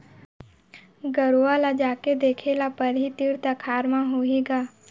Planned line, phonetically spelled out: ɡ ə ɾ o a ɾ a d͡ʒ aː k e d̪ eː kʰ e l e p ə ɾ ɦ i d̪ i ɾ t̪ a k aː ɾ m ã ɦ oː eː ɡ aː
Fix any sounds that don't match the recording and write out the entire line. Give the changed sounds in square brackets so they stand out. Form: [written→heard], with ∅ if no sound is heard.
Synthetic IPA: ɡ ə ɾ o a [ɾ→l] a d͡ʒ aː k e d̪ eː kʰ e l [e→a] p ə ɾ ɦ i [d̪→t̪] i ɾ t̪ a [k→kʰ] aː ɾ m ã ɦ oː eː ɡ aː